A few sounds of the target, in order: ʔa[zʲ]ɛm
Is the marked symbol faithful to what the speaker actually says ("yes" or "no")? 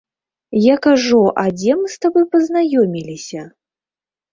no